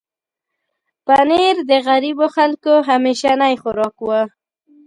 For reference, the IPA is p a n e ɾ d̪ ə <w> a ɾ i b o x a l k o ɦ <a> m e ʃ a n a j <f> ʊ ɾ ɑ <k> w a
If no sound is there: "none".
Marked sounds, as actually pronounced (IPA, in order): ɣ, a, x, k

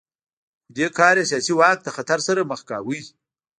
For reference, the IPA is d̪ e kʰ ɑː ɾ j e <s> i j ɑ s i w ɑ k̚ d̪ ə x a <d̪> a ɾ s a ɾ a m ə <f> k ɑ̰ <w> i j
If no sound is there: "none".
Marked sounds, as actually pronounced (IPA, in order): s, t̪, x, w

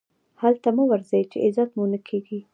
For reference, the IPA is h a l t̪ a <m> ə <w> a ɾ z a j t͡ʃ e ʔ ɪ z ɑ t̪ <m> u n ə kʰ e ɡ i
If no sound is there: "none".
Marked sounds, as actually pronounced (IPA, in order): m, w, m

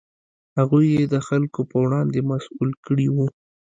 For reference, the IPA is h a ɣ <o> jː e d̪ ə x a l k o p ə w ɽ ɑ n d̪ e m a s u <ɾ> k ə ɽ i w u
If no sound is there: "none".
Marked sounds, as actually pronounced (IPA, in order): u, l

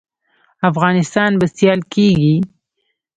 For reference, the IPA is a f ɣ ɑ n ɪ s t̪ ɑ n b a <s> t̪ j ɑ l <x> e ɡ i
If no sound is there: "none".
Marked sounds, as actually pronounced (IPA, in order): s, k

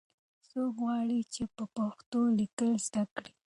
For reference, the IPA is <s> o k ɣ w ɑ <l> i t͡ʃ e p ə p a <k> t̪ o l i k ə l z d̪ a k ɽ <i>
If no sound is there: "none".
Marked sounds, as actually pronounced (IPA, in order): s, ɽ, x, i

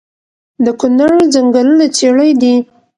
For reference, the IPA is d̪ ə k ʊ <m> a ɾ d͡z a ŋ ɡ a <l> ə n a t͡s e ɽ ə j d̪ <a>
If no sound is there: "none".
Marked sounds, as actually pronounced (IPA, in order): n, l, i

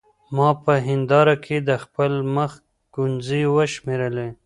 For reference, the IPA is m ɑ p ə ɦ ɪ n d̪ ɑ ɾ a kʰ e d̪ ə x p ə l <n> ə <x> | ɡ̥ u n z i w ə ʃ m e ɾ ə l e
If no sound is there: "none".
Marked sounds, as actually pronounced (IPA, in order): m, x

